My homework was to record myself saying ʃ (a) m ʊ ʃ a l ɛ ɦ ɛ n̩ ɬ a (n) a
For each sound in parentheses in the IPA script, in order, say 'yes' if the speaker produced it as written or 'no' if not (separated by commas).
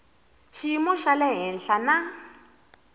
no, yes